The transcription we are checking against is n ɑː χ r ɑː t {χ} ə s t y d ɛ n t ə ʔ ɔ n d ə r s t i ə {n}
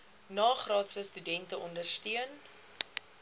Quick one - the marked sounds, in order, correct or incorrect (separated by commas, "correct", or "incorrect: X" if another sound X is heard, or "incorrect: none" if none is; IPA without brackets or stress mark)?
incorrect: s, correct